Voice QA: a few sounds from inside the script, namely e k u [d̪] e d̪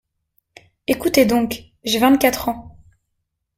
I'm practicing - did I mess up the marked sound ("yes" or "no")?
yes